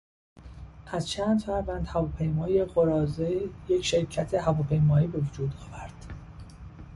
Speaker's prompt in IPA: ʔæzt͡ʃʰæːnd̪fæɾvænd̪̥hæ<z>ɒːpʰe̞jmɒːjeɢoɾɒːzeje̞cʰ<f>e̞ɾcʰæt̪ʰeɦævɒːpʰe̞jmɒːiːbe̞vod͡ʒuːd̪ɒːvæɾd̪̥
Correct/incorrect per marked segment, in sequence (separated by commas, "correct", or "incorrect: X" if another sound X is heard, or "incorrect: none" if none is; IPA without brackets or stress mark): incorrect: v, incorrect: ʃ